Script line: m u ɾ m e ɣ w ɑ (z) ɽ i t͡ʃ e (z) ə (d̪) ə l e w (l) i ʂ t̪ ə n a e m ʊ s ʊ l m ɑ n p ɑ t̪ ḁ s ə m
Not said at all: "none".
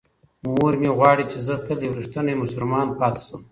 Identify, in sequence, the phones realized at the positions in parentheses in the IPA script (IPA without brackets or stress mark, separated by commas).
none, z, t̪, ɾ